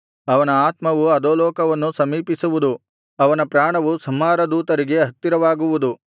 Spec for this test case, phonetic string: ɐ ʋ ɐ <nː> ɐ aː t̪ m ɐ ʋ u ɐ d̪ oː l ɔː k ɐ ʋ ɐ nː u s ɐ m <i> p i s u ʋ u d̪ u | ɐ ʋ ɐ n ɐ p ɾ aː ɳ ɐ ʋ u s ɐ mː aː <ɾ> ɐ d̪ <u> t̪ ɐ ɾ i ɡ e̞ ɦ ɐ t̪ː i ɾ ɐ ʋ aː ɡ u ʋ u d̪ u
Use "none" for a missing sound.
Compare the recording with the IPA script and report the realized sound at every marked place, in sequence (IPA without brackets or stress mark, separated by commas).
n, iː, ɾ, uː